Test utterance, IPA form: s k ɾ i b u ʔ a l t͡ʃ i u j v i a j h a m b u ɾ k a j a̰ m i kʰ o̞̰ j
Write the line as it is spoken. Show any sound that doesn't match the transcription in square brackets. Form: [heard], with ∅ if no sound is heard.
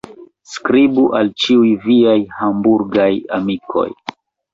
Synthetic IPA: s k ɾ i b u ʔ a l t͡ʃ i u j v i a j h a m b u ɾ [ɡ] a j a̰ m i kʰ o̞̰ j